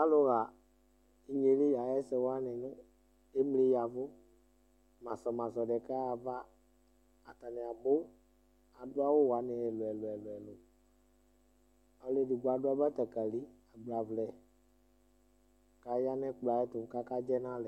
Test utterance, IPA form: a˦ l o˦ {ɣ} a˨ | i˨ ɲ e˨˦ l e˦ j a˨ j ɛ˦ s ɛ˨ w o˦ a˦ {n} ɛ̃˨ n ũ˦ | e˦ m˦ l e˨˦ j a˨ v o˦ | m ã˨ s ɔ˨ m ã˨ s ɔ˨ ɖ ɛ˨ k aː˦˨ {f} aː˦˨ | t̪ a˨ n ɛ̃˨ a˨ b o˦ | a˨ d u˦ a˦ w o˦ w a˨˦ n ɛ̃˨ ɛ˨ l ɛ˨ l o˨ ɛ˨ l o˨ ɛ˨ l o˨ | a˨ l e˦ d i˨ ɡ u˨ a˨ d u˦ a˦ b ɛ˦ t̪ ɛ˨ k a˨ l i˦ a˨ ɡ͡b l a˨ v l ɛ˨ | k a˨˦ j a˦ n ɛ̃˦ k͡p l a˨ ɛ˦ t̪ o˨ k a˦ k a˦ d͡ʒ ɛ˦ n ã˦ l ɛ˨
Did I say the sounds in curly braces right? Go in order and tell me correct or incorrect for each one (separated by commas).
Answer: correct, correct, incorrect